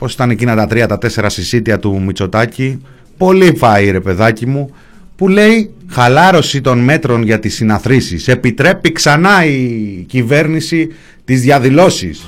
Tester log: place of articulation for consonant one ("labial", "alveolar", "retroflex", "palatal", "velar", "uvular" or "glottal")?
labial